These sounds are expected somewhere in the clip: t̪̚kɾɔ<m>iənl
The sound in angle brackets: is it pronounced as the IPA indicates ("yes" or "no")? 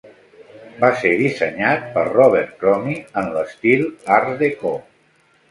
yes